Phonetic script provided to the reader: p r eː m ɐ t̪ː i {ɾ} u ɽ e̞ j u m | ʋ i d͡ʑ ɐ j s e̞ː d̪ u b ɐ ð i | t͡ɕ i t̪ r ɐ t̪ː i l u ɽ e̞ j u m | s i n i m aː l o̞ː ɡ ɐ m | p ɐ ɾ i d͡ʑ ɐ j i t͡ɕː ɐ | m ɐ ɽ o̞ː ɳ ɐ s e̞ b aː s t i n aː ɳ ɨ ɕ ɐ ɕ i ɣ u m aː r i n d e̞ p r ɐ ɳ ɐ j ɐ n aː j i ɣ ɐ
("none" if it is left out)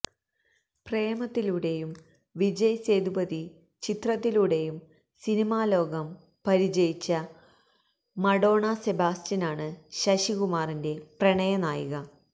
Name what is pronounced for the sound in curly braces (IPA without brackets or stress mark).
l